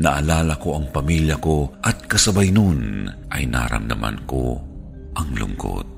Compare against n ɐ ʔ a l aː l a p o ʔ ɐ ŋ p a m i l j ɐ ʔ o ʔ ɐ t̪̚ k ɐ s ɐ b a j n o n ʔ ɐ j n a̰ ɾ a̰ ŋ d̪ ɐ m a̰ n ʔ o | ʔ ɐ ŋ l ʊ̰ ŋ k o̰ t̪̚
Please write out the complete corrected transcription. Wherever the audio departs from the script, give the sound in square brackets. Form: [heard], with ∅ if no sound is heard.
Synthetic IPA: n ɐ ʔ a l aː l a [k] o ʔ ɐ ŋ p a m i l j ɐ [k] o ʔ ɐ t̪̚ k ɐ s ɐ b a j n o n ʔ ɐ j n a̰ ɾ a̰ [m] d̪ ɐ m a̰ n [k] o | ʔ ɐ ŋ l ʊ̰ ŋ k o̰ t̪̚